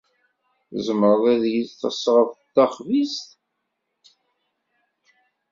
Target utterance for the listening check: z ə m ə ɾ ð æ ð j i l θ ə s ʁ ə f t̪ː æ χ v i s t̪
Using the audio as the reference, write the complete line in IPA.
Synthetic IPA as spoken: z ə m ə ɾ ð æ ð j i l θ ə s ʁ ə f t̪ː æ χ v i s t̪